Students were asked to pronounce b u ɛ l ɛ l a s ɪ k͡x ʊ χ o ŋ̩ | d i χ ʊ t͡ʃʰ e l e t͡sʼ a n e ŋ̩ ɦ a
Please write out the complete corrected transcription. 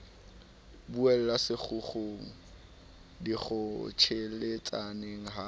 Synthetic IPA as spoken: b u ɛ l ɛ l a s ɪ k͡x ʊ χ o ŋ̩ | d i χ ʊ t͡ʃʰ e l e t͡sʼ a n e ŋ̩ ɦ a